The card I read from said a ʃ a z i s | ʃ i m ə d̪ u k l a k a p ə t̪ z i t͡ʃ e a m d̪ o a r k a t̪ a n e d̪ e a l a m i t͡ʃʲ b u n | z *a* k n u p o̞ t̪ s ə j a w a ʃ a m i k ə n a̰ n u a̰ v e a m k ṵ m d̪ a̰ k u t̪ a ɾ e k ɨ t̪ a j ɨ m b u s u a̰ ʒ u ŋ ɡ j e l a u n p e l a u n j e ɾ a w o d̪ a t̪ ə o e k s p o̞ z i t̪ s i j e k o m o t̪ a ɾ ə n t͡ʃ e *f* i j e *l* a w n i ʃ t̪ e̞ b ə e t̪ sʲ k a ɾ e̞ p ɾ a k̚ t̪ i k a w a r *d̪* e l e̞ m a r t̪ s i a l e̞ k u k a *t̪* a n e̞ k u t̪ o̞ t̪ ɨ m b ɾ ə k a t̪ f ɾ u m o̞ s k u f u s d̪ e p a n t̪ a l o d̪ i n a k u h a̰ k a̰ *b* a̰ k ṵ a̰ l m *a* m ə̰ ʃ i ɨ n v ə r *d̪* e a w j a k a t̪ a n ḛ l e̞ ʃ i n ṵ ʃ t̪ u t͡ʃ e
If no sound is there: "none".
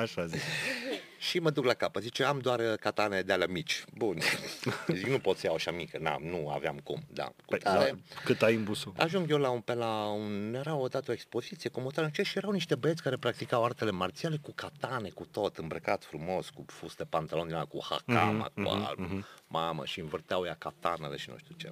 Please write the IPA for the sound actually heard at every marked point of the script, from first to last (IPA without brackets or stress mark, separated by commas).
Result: i, ʃ, ɾ, t̪, t̪, m, a, t̪